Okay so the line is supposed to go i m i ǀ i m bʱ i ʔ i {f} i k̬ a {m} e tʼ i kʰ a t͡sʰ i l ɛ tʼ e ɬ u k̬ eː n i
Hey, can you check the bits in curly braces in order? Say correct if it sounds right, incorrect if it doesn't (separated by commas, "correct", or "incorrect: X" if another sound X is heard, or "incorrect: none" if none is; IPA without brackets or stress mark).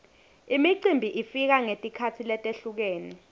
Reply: correct, incorrect: ŋ